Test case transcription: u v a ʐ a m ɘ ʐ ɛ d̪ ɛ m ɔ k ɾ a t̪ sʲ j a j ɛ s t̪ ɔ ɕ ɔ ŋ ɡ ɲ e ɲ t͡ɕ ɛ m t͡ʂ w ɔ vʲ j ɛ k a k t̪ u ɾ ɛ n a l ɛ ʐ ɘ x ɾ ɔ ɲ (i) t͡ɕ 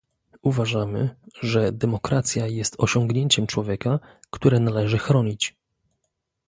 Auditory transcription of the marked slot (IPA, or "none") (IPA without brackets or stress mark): i